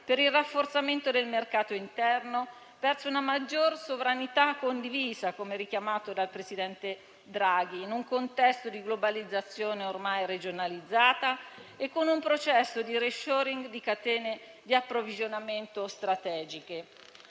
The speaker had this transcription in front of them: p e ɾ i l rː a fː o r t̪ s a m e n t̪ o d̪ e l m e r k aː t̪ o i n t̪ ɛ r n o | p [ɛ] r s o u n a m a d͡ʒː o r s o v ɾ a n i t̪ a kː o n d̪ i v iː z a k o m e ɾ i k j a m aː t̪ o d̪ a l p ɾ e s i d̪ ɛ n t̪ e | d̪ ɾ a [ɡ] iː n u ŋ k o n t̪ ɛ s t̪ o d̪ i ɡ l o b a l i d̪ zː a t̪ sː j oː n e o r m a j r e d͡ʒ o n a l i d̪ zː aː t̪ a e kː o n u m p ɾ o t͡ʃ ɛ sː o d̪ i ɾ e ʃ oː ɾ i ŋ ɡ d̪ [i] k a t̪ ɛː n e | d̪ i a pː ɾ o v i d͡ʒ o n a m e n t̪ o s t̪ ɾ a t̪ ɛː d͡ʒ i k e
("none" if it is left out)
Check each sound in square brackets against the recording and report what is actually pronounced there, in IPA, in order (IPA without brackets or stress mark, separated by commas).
ɛ, ɡ, i